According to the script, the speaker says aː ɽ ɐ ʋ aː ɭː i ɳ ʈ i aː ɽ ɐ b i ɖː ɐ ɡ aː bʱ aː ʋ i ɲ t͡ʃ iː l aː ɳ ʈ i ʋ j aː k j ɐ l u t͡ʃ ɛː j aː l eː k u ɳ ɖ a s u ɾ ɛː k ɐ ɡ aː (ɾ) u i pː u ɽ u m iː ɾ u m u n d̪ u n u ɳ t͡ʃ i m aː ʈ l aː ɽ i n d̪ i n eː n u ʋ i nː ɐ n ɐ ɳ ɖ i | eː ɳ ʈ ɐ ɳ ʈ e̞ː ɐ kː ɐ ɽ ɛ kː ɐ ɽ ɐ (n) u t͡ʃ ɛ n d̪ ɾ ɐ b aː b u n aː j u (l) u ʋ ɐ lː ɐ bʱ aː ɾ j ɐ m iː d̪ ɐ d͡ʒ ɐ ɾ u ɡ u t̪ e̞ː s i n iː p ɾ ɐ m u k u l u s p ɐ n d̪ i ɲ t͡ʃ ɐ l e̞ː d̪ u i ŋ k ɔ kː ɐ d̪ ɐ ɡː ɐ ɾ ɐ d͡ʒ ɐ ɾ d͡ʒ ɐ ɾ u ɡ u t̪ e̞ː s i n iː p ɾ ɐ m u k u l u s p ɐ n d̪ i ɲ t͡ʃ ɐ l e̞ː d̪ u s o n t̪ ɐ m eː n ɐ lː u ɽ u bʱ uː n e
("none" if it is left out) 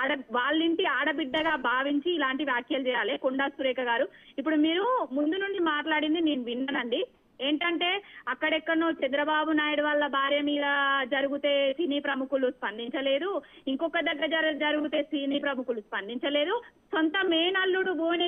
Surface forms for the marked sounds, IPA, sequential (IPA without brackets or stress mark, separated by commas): ɾ, n, ɽ